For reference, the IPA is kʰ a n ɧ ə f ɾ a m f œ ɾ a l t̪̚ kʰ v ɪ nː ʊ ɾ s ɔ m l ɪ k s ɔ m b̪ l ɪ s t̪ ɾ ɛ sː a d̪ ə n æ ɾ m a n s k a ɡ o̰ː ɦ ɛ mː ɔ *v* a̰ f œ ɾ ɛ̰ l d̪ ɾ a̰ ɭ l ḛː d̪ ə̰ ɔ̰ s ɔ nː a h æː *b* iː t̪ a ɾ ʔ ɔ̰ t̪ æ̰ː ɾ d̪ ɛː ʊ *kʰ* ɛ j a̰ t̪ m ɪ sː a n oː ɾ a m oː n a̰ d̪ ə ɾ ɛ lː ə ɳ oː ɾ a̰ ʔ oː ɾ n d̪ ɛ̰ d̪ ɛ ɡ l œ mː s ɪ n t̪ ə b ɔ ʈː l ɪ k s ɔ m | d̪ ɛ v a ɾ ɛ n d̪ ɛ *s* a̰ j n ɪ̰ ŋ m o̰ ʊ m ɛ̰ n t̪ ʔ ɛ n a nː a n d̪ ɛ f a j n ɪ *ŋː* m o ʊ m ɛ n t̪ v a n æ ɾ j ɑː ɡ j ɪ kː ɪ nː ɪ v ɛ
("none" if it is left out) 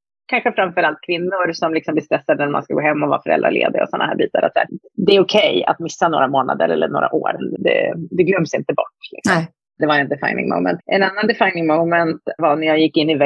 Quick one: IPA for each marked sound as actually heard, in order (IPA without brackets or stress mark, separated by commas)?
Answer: v, b, kʰ, f, ŋ